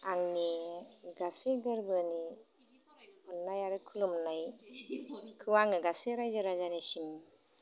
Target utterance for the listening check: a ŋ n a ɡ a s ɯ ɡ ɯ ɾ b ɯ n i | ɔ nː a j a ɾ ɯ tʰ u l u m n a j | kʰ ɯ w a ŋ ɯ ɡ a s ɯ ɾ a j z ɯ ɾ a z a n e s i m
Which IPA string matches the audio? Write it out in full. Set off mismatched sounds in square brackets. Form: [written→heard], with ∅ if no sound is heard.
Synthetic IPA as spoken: a ŋ n [a→i] ɡ a s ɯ ɡ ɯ ɾ b ɯ n i | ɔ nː a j a ɾ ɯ [tʰ→kʰ] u l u m n a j | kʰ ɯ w a ŋ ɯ ɡ a s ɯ ɾ a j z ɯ ɾ a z a n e s i m